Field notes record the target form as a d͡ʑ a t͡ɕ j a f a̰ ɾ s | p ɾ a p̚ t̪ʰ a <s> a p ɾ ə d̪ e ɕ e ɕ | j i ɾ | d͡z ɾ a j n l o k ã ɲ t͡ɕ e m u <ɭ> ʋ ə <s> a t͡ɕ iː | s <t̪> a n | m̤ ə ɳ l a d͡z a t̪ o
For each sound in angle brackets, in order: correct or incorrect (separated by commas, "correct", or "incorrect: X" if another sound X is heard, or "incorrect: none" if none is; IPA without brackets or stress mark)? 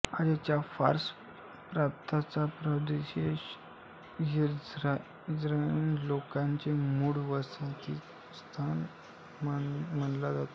incorrect: t͡s, incorrect: ɽ, correct, incorrect: t̪ʰ